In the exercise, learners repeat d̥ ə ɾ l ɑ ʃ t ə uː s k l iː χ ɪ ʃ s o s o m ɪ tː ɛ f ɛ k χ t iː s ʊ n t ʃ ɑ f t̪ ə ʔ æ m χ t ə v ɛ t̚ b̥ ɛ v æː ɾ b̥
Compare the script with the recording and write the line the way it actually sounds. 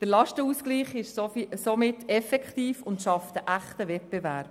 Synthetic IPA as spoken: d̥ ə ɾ l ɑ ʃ t ə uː s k l iː χ ɪ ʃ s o s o m ɪ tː ɛ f ɛ k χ t iː f ʊ n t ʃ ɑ f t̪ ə ʔ æ χ t ə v ɛ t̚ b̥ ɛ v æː ɾ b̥